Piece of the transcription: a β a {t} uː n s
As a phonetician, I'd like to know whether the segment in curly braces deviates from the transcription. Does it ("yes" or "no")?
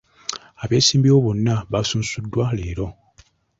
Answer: yes